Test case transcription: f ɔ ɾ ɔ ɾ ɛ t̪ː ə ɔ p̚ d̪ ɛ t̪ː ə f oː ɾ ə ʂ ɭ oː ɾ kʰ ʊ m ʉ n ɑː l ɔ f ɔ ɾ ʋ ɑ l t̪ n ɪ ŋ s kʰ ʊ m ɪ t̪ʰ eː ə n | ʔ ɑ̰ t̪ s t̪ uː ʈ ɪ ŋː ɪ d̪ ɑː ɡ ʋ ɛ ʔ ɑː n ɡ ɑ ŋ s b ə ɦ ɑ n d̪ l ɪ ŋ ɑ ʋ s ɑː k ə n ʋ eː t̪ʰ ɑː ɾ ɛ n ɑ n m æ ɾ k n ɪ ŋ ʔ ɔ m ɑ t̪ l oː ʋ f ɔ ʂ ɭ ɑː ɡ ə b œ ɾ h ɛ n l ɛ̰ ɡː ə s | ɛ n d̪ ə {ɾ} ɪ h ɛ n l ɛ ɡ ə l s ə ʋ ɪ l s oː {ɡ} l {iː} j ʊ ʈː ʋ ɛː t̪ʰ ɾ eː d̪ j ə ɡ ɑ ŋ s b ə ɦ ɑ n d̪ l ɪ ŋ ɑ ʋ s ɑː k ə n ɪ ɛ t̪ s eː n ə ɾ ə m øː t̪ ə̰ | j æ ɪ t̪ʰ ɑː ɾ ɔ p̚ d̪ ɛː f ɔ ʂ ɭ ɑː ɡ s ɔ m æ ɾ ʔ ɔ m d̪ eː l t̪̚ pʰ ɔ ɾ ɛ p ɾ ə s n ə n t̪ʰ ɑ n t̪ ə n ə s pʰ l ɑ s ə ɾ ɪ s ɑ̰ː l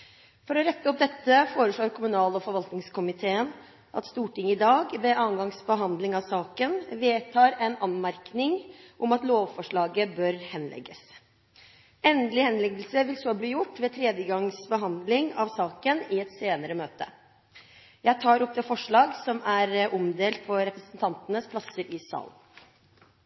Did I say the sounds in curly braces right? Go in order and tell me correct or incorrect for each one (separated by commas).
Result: incorrect, incorrect, correct